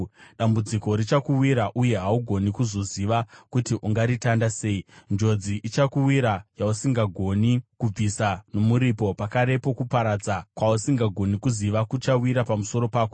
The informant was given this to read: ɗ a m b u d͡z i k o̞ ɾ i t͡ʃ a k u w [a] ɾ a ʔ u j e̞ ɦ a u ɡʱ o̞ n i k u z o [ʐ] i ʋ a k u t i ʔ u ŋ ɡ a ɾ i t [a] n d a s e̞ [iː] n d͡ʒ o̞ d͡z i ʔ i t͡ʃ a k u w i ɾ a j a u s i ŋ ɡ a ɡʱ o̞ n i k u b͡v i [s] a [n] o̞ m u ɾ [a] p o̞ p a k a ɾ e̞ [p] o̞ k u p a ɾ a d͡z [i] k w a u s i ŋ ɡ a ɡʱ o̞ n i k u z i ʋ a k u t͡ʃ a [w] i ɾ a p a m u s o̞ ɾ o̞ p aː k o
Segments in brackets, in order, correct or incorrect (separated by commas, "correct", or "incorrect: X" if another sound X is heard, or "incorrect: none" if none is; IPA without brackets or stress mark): incorrect: i, incorrect: z, correct, incorrect: i, correct, correct, incorrect: i, correct, incorrect: a, correct